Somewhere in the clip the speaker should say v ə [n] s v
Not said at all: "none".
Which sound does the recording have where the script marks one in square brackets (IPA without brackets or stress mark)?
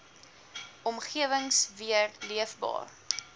ŋ